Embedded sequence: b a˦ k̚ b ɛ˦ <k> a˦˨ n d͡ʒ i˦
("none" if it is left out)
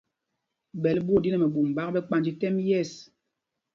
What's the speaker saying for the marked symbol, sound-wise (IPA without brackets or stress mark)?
k͡p